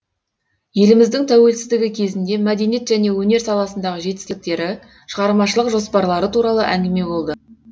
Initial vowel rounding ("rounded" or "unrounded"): unrounded